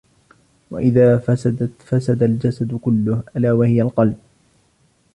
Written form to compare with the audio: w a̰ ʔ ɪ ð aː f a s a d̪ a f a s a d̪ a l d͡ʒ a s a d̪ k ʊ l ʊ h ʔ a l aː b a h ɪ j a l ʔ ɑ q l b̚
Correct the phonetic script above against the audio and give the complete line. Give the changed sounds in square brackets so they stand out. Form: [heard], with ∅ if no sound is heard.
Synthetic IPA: w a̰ ʔ ɪ ð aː f a s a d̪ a f a s a d̪ a l d͡ʒ a s a d̪ k ʊ [lː] ʊ h ʔ a l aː [w] a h ɪ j a l [q] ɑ [∅] l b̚